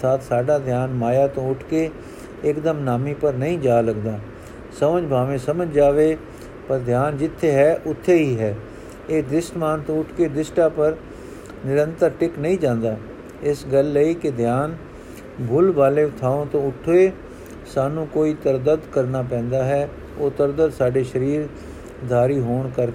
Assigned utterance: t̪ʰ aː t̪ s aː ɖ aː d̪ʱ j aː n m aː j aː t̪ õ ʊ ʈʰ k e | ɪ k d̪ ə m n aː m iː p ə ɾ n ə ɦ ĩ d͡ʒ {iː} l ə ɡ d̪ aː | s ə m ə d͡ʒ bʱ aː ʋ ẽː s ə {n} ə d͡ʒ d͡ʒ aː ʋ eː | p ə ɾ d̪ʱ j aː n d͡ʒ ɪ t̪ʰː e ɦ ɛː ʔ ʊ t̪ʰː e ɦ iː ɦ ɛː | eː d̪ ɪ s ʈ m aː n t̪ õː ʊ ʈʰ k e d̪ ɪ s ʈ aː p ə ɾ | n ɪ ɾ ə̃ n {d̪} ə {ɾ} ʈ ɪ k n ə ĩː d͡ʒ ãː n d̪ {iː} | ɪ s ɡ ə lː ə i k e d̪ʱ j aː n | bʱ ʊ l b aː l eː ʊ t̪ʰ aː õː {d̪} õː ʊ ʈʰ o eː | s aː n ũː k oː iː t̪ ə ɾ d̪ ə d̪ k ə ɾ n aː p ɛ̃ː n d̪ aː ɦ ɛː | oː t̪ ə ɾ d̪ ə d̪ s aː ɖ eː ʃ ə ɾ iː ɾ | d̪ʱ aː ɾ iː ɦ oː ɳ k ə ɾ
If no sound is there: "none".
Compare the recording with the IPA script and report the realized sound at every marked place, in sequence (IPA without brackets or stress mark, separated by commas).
aː, m, t̪, ɾ, aː, t̪